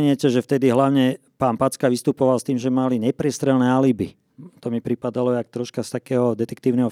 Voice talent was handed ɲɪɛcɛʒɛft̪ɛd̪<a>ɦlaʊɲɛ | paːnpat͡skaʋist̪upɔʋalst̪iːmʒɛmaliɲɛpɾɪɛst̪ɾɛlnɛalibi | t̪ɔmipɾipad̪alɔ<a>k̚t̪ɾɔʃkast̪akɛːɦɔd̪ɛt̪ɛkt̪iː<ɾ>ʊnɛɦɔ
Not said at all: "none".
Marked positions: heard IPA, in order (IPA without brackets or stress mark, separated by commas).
i, a, none